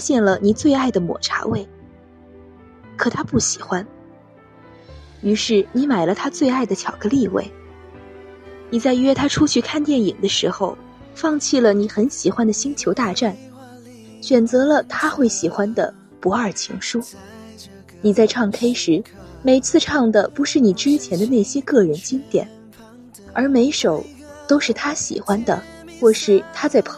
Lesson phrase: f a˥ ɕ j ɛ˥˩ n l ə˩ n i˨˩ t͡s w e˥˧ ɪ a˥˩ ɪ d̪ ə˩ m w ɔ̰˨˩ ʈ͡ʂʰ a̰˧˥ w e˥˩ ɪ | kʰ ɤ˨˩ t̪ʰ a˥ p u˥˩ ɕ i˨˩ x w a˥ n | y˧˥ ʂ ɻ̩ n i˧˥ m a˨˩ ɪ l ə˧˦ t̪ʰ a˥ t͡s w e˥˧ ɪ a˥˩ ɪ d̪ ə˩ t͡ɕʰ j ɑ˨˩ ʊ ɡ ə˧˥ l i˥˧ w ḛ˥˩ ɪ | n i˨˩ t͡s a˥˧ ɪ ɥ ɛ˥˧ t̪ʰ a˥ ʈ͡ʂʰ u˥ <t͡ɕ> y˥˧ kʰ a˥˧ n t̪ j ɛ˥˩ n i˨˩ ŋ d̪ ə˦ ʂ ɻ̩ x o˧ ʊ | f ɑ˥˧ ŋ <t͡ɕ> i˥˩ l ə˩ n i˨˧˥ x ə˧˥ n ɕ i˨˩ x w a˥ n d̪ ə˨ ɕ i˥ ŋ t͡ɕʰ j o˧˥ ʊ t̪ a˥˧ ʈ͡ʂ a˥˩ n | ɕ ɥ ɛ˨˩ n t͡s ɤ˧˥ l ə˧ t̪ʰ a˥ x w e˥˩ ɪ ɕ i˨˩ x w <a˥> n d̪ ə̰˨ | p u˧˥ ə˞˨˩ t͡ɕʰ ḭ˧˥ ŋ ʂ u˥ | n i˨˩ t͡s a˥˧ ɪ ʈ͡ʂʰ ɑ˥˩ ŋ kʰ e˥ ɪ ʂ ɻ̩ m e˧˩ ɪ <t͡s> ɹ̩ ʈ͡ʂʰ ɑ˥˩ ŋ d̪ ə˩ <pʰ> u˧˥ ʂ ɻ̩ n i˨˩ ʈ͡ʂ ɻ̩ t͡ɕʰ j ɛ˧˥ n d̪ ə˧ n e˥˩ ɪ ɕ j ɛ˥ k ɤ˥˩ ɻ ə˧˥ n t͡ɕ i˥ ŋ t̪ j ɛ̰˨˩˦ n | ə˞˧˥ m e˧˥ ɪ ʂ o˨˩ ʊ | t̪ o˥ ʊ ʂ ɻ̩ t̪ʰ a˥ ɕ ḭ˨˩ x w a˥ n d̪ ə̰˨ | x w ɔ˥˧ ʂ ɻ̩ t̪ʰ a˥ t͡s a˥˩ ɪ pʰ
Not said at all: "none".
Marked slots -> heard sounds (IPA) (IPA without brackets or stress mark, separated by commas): t͡ɕʰ, t͡ɕʰ, a˥, t͡sʰ, p